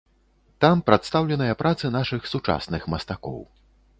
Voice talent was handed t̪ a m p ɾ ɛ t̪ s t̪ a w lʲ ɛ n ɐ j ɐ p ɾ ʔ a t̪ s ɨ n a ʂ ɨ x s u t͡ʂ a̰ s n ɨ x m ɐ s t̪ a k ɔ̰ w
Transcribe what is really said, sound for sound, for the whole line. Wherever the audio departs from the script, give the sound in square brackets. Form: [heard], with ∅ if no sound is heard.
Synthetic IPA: t̪ a m p ɾ [a] t̪ s t̪ a w lʲ ɛ n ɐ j ɐ p ɾ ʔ a t̪ s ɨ n a ʂ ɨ x s u t͡ʂ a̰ s n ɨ x m ɐ s t̪ a k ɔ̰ w